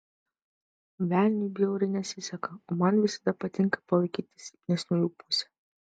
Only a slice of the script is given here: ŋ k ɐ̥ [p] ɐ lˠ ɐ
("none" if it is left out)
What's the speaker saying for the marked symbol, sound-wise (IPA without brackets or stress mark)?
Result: p